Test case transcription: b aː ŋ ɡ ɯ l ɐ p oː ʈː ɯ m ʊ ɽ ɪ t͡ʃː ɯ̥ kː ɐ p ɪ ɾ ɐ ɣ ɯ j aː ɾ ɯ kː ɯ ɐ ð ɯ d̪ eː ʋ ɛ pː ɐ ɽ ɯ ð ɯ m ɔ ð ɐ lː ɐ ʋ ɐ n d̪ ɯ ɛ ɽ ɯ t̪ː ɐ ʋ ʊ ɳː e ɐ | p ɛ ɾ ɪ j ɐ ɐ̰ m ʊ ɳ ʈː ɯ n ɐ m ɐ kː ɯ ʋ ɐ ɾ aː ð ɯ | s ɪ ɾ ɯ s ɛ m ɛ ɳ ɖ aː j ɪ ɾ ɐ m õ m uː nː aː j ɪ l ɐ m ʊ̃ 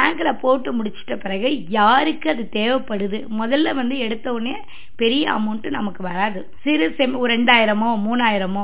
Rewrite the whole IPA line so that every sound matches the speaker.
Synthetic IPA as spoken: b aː ŋ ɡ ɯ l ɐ p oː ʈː ɯ m ʊ ɽ ɪ t͡ʃː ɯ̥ ʈː ɐ p ɪ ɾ ɐ ɣ ɯ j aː ɾ ɯ kː ɯ ɐ ð ɯ t̪ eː ʋ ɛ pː ɐ ɽ ɯ ð ɯ m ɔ ð ɐ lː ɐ ʋ ɐ n d̪ ɯ ɛ ɽ ɯ t̪ː ɐ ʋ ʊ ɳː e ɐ | p ɛ ɾ ɪ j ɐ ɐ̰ m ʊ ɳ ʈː ɯ n ɐ m ɐ kː ɯ ʋ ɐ ɾ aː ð ɯ | s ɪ ɾ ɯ s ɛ m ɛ ɳ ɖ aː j ɪ ɾ ɐ m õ m uː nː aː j ɪ ɾ ɐ m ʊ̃